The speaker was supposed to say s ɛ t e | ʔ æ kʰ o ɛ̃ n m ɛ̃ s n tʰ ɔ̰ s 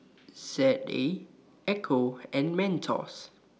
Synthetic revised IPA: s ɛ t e | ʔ ɛ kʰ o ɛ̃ n m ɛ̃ n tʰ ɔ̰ s

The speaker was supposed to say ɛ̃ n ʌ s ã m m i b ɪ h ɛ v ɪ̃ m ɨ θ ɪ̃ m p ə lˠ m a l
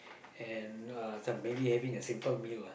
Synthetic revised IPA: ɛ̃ n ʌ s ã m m e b i h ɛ v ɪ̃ ŋ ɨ s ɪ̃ m p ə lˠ m i l

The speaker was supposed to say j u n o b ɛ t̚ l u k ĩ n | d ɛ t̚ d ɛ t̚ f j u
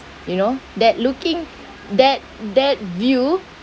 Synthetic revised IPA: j u n o d ɛ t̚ l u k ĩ ŋ | d ɛ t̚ d ɛ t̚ v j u

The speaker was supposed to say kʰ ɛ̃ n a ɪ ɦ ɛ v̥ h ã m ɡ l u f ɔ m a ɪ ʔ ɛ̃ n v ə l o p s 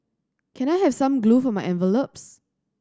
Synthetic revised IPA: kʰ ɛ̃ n a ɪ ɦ ɛ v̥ s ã m ɡ l u f ɔ m a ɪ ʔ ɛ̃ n v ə l o p s

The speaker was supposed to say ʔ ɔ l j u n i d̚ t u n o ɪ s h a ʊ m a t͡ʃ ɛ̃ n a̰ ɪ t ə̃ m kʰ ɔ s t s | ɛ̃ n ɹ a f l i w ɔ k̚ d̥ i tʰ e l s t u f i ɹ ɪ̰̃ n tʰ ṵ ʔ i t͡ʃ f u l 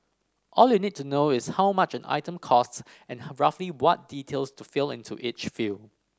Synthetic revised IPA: ʔ ɔ l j u n i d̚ t u n o ɪ s h a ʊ m a t͡ʃ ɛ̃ n a̰ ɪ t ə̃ m kʰ ɔ s t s | ɛ̃ n ɹ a f l i w ɔ t̚ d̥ i tʰ e l s t u f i l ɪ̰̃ n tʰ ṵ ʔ i t͡ʃ f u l

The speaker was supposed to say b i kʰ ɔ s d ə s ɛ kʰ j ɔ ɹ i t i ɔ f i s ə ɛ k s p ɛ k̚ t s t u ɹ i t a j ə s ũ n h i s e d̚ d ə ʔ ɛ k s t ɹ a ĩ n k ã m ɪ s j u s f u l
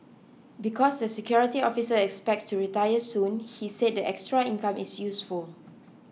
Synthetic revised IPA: b i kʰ ɔ s d ə s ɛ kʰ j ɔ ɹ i t i ɔ f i s ə ɛ k s p ɛ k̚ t s t u ɹ i t a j ə s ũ n h i s e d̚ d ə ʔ ɛ k s t ɹ a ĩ n k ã m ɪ s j u s f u l

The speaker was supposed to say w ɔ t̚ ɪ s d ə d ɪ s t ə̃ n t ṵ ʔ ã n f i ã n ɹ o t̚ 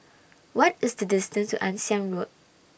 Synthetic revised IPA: w ɔ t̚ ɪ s d ə d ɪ s t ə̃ n t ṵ ʔ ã n s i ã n ɹ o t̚

